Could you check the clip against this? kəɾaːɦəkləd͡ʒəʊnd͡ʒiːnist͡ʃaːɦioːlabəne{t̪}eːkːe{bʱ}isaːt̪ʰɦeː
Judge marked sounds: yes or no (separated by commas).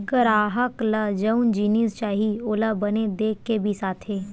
no, yes